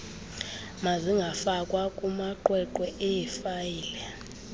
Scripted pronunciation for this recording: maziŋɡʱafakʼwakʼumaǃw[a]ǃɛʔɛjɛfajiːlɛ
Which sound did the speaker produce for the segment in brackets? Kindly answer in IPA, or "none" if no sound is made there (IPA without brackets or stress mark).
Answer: ɛ